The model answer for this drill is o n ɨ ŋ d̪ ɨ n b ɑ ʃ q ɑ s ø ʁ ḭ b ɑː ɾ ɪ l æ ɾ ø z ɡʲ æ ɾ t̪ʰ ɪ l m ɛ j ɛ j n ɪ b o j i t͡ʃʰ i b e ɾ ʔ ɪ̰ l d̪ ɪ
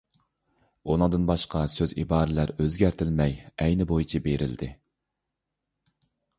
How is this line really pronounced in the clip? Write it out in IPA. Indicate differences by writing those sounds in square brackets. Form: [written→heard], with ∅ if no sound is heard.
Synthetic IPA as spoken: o n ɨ ŋ d̪ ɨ n b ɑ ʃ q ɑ s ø [ʁ→z] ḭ b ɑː ɾ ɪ l æ ɾ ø z ɡʲ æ ɾ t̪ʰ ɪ l m ɛ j ɛ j n ɪ b o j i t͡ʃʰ i b e ɾ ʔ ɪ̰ l d̪ ɪ